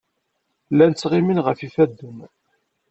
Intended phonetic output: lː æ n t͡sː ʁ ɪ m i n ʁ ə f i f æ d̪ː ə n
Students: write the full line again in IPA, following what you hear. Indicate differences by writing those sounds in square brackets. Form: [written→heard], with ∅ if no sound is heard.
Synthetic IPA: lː æ n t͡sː ʁ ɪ m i n ʁ ə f i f æ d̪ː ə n